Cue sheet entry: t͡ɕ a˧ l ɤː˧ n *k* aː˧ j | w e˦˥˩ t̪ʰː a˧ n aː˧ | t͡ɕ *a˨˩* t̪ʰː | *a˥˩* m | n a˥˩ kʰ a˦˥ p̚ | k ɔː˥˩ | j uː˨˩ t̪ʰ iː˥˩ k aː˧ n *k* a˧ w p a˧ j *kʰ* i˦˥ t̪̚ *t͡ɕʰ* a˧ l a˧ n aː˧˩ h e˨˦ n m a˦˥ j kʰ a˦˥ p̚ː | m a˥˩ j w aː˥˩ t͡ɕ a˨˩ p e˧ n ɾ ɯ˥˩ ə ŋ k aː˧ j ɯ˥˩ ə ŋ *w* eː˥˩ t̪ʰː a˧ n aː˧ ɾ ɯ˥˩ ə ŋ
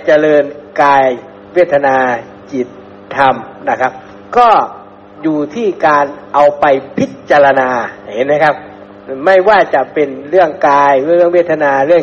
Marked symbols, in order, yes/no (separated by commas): yes, no, no, no, no, no, yes